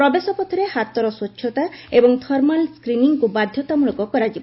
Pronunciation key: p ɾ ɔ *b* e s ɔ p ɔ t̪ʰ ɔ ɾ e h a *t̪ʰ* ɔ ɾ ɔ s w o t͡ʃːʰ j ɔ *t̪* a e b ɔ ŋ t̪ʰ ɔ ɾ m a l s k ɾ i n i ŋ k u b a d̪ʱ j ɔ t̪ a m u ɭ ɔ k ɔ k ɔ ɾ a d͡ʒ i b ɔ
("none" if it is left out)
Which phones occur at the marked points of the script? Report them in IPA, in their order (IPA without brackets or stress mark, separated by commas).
b, t̪, t̪